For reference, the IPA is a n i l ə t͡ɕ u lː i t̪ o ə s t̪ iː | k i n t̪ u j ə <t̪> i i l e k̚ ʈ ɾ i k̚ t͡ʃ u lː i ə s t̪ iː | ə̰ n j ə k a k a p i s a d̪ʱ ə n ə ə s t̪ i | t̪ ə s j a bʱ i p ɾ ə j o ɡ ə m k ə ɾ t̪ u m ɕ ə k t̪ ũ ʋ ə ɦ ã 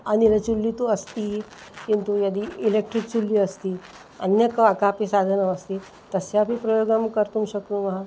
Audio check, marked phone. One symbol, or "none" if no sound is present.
d̪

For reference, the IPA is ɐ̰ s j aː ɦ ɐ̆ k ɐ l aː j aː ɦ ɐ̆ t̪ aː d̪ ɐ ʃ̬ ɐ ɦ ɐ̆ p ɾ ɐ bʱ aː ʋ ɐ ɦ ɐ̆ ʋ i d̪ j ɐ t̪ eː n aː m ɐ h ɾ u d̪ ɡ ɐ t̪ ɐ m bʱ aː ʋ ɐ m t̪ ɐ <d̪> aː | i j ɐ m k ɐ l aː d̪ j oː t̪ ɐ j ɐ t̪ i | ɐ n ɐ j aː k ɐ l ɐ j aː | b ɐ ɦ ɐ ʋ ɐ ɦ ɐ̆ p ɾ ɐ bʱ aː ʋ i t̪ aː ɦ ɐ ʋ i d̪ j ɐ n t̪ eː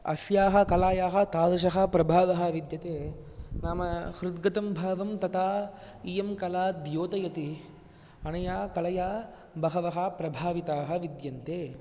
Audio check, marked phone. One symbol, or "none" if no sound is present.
t̪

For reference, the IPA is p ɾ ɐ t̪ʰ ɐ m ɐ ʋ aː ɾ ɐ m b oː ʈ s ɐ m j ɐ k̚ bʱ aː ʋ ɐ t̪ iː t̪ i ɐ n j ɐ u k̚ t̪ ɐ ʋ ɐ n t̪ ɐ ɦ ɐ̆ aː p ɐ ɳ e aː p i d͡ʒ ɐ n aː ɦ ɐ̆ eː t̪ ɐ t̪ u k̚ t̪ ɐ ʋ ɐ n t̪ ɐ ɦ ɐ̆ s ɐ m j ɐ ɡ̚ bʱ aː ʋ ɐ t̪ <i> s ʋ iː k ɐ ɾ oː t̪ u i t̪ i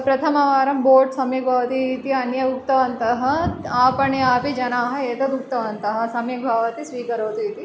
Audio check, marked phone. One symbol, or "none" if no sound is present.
i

